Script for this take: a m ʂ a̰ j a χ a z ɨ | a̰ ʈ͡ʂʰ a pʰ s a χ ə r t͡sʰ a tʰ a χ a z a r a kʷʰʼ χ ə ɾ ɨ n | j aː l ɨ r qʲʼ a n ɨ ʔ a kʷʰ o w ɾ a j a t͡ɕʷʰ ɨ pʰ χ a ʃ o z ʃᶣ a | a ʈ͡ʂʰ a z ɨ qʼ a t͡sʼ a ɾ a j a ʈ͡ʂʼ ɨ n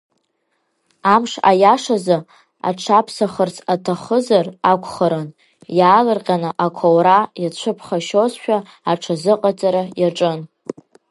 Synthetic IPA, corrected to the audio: a m ʂ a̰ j a ʂ a z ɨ | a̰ ʈ͡ʂʰ a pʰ s a χ ə r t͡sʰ a tʰ a χ ə z a r a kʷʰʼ χ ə ɾ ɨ n | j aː l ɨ r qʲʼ a n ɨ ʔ a kʷʰ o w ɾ a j a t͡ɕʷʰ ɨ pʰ χ a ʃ o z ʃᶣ a | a ʈ͡ʂʰ a z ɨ qʼ a t͡sʼ a ɾ a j a ʈ͡ʂʼ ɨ n